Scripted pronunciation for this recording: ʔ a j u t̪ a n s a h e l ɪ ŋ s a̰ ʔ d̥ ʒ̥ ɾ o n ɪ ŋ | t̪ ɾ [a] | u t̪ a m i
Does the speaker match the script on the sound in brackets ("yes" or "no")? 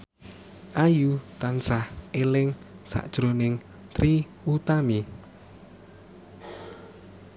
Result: no